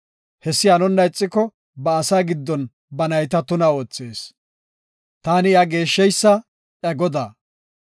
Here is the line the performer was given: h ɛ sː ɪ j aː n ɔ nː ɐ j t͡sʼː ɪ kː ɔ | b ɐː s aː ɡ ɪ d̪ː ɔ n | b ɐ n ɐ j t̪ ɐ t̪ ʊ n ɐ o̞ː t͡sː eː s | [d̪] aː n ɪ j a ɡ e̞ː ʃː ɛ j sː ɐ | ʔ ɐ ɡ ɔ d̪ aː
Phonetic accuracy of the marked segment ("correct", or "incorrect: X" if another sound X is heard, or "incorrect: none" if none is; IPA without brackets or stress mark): incorrect: t̪